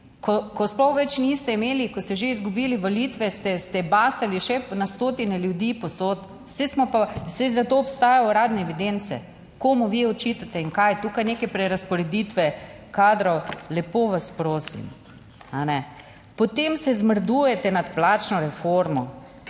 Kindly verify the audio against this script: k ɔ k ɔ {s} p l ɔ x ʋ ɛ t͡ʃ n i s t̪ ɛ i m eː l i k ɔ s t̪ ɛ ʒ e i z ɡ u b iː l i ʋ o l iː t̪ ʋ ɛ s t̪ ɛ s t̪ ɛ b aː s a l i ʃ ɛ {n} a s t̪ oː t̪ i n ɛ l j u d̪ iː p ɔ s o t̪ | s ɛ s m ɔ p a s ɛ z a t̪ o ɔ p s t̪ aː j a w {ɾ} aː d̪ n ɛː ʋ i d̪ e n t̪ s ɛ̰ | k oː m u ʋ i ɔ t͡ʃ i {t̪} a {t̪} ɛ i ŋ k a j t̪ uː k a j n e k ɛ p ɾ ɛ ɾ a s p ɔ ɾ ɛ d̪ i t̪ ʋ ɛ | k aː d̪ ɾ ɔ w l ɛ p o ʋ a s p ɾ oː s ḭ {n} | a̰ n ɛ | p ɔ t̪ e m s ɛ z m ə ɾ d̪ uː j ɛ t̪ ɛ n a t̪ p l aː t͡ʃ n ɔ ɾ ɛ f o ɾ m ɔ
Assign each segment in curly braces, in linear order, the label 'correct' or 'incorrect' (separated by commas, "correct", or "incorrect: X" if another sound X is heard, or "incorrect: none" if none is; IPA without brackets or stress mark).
correct, correct, correct, correct, correct, incorrect: m